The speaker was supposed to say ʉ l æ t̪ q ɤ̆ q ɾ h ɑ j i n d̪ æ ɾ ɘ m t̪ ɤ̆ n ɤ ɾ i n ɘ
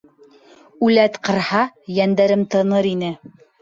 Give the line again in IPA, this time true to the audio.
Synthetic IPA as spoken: ʉ l æ t̪ q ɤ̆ ɾ h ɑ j æ n d̪ æ ɾ ɘ m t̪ ɤ̆ n ɤ ɾ i n ɘ